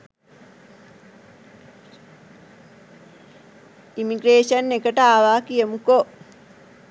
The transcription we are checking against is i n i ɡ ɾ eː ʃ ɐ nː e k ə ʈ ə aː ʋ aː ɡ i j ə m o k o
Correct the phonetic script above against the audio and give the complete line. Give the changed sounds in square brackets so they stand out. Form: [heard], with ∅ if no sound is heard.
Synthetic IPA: i [m] i ɡ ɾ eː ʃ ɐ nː e k ə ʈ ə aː ʋ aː [k] i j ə m [u] k o